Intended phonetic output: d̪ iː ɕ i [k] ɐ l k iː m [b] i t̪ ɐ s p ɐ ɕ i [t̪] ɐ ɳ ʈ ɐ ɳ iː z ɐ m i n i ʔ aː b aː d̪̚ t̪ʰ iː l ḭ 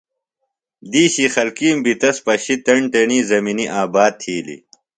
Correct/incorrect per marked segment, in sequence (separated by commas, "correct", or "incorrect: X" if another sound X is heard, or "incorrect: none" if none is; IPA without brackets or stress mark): incorrect: x, correct, correct